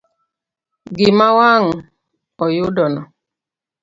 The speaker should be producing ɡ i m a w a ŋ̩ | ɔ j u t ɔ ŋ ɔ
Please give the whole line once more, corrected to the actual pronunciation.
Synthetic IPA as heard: ɡ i m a w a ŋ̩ | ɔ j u d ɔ n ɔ

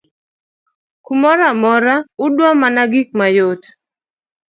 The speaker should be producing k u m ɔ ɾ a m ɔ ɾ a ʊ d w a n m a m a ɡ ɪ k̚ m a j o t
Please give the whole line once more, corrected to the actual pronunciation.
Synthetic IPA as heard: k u m ɔ ɾ a m ɔ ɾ a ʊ d w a m a n a ɡ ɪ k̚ m a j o t

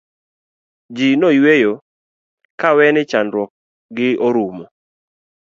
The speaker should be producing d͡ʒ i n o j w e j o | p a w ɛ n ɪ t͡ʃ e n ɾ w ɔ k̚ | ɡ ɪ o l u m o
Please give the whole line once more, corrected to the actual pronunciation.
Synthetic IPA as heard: d͡ʒ i n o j w e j o | k a w ɛ n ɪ t͡ʃ a n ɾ w ɔ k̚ | ɡ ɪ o ɾ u m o

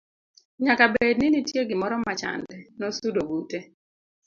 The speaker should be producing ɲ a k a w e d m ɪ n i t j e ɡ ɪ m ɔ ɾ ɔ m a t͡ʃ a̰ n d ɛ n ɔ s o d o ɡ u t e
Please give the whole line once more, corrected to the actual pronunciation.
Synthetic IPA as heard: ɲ a k a b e d n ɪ n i t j e ɡ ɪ m ɔ ɾ ɔ m a t͡ʃ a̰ n d ɛ n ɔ s u d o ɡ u t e

